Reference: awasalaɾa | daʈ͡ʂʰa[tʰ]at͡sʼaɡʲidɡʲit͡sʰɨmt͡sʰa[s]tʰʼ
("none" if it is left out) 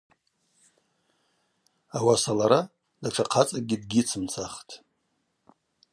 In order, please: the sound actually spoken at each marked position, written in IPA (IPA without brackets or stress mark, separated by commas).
qʰ, χ